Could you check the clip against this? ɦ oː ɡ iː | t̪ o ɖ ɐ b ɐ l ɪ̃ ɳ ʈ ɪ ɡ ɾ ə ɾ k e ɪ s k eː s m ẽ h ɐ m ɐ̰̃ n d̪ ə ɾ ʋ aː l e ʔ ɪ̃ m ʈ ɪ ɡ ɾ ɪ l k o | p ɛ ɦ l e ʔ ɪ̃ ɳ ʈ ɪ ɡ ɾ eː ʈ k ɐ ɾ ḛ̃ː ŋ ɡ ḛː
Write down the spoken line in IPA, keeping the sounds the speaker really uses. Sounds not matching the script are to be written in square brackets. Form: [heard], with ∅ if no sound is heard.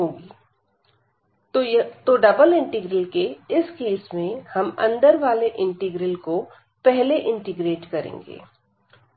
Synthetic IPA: ɦ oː ɡ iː | t̪ o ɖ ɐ b [ə] l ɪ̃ ɳ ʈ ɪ ɡ ɾ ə [l] k e ɪ s k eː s m ẽ h ɐ m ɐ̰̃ n d̪ ə ɾ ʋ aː l e ʔ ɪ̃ [ɳ] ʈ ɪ ɡ ɾ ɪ l k o | p ɛ ɦ l e ʔ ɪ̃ ɳ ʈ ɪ ɡ ɾ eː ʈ k ɐ ɾ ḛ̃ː ŋ ɡ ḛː